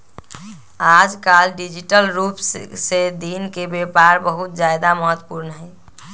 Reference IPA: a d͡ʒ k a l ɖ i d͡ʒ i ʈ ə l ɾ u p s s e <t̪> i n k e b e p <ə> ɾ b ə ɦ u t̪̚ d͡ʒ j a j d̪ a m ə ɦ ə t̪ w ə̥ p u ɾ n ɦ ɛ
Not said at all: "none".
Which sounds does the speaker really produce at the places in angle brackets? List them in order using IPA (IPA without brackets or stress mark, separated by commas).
d̪, a